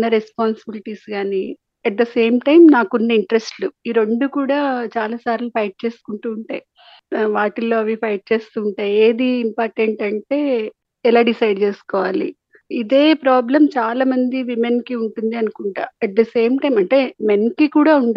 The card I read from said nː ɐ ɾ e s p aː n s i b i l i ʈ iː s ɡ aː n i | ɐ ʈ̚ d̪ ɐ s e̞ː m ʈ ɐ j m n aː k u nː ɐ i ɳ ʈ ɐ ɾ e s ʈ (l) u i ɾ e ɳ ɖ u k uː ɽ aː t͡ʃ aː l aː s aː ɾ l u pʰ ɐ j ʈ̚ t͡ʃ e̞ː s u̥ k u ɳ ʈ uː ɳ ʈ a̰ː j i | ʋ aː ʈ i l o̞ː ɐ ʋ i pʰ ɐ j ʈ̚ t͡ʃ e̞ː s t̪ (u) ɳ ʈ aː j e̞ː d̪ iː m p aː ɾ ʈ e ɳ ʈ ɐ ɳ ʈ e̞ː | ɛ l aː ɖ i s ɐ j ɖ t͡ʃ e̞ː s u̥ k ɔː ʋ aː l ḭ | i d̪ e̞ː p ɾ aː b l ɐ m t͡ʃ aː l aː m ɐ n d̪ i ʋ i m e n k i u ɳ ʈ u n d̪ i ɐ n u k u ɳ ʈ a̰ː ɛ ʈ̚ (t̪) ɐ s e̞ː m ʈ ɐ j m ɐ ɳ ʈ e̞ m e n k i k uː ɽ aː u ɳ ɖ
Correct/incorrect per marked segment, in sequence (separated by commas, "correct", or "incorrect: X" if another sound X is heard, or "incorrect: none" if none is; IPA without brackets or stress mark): correct, incorrect: uː, incorrect: d̪